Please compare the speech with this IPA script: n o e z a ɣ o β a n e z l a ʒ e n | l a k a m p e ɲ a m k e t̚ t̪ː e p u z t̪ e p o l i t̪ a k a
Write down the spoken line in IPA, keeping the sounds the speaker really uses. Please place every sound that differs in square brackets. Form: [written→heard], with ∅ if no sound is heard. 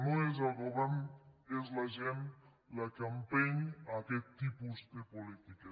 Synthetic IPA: n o e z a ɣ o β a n e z l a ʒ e n | l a k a m p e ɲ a [m→∅] k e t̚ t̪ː [e→i] p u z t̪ e p o l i t̪ [a→i] k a